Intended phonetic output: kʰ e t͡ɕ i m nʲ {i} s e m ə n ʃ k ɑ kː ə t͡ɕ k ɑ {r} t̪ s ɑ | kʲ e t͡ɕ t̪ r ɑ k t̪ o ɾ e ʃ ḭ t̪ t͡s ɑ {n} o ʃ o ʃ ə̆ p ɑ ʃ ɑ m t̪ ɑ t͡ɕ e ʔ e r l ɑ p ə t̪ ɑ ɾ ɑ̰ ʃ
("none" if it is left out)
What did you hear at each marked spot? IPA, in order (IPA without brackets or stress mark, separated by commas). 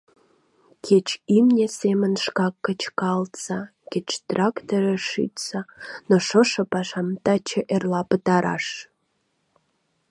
e, l, n